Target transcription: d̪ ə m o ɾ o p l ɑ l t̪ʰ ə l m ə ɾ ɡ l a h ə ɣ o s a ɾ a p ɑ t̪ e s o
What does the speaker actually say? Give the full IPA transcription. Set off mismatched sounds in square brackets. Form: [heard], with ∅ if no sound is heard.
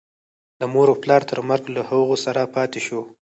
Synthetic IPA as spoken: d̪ ə m o ɾ o p l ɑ [ɾ] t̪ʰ ə [ɾ] m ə ɾ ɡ l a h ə ɣ o s a ɾ a p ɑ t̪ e [ʃ] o